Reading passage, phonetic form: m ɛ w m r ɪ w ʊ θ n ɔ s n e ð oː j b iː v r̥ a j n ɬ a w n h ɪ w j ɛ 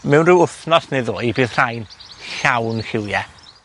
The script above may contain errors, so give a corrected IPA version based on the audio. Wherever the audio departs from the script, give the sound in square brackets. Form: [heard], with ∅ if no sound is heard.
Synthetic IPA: m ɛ w [n] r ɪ w ʊ θ n ɔ s n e ð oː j b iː [ð] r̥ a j n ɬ a w n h ɪ w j ɛ